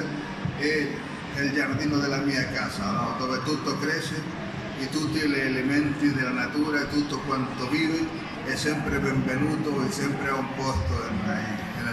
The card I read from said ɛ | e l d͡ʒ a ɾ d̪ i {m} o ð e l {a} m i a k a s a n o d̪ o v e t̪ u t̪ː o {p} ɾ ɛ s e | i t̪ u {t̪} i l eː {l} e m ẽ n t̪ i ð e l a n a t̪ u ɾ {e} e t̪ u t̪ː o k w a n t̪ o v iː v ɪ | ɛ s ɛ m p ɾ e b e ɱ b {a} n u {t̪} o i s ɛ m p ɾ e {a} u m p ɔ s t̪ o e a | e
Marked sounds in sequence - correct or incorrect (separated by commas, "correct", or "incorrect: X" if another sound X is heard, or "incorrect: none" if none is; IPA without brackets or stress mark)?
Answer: incorrect: n, correct, incorrect: k, correct, correct, incorrect: a, incorrect: e, correct, correct